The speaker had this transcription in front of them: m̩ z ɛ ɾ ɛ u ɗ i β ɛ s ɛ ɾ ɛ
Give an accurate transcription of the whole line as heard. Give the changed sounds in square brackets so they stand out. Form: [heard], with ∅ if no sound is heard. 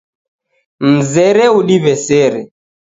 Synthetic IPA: m̩ z ɛ ɾ ɛ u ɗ i β ɛ s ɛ ɾ ɛ